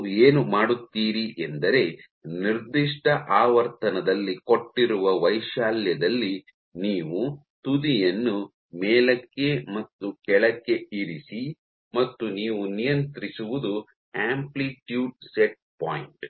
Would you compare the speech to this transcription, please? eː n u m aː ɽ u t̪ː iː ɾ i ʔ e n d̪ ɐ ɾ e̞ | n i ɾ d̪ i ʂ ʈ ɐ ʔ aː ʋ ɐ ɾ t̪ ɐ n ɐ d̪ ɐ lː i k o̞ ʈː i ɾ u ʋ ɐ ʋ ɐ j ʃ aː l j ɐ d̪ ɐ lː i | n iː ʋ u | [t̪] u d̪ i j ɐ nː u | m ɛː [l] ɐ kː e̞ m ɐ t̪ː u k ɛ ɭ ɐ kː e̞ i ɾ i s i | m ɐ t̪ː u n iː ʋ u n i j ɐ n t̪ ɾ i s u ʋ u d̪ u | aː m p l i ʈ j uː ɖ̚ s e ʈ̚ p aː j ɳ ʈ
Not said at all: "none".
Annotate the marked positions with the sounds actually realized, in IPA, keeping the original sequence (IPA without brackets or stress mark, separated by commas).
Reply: t̪, l